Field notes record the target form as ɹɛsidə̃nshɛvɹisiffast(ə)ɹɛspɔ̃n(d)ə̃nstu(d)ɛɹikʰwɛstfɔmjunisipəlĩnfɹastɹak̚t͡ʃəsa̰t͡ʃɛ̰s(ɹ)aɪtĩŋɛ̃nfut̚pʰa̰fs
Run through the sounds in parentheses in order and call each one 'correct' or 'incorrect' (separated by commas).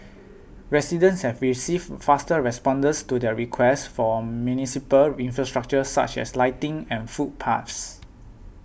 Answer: correct, correct, correct, incorrect